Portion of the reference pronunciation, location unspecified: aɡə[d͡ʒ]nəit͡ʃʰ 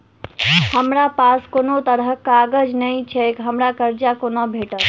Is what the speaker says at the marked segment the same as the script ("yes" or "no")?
yes